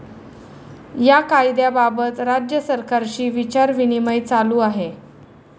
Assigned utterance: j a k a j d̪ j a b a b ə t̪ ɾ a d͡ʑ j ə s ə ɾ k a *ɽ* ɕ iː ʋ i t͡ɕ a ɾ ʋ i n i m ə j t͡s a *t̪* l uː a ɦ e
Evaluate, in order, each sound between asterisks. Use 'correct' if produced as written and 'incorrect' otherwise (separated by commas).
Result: incorrect, incorrect